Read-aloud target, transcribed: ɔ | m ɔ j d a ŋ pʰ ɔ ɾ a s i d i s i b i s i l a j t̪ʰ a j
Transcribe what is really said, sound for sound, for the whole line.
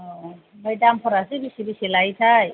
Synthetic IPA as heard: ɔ | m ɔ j d a m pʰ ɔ ɾ a s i b i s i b i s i l a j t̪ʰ a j